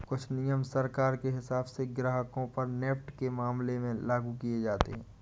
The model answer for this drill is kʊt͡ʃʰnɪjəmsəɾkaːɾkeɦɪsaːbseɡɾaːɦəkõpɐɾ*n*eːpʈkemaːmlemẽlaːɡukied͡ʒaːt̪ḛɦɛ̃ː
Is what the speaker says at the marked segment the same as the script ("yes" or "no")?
yes